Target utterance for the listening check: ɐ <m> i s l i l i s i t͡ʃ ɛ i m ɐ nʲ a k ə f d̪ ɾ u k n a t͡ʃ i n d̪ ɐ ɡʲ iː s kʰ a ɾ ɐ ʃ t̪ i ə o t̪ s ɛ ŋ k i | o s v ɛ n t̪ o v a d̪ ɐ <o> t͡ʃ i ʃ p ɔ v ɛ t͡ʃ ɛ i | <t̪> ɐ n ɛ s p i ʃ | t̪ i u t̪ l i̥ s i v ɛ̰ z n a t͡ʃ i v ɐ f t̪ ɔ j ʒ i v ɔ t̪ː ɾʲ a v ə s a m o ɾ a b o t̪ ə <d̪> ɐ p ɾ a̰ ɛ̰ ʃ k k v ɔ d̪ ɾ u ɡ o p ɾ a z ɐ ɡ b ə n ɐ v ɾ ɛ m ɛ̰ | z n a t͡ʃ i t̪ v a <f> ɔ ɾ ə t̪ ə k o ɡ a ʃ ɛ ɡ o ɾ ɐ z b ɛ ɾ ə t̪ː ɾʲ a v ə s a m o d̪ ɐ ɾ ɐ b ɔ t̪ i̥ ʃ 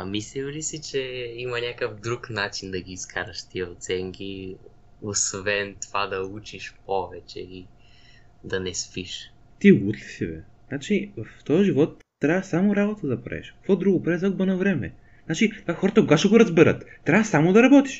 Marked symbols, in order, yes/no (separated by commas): yes, no, no, yes, no